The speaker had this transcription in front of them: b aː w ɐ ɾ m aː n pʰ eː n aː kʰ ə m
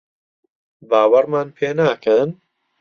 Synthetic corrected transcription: b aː w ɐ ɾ m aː n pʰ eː n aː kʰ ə n